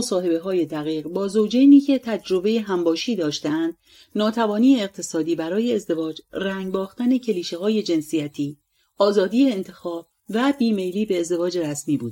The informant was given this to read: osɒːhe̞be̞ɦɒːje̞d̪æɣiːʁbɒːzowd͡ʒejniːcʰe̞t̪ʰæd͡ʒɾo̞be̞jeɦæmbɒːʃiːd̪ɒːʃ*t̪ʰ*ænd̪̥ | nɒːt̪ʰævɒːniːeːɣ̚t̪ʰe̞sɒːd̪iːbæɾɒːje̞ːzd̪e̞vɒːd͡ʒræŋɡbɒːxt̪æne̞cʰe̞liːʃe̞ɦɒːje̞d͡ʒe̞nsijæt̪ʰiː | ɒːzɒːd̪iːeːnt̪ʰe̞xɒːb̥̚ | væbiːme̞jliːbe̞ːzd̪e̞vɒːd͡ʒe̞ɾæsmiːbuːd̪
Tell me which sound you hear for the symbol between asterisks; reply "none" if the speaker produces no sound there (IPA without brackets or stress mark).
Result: t̪